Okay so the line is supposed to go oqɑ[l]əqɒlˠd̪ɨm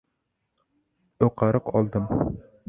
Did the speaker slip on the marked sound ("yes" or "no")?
yes